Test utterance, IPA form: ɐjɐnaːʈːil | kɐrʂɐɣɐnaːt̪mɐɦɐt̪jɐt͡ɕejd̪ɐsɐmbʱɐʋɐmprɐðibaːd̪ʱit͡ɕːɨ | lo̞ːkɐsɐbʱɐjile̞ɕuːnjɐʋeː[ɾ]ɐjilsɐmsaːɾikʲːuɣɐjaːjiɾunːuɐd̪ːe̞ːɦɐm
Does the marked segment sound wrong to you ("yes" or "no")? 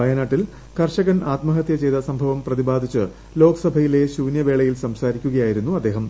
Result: yes